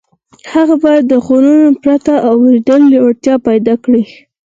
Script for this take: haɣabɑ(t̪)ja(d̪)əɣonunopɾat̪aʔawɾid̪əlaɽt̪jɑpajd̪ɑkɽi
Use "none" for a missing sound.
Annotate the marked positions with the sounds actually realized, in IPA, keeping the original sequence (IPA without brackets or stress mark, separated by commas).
none, d̪ː